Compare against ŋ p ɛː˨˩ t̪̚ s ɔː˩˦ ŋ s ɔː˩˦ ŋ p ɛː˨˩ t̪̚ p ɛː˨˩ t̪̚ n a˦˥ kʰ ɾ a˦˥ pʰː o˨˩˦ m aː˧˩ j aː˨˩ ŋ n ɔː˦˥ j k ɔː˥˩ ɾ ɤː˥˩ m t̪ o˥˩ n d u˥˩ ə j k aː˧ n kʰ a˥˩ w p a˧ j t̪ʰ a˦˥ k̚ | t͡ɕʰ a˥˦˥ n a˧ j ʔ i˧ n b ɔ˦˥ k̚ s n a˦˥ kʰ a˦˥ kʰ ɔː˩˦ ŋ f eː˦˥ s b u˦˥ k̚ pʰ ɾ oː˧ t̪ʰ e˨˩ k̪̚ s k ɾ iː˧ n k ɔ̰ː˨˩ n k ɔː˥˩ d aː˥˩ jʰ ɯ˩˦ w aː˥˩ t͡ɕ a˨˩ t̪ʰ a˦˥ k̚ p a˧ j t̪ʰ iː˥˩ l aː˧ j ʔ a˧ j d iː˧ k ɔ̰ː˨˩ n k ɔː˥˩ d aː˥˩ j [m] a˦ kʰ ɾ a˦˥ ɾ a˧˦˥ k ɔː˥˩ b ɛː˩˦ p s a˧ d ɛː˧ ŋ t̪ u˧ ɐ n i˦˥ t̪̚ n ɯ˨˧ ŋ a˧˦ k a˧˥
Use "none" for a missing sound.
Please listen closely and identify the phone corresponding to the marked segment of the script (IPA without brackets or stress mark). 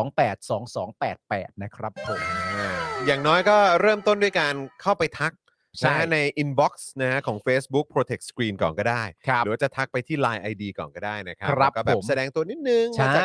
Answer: n